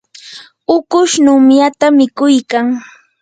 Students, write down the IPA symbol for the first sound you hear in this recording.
ʊ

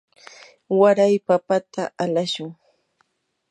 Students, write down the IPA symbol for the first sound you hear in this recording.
w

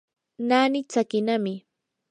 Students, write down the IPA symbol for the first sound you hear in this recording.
n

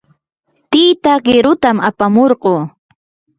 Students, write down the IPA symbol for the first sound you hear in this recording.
t̪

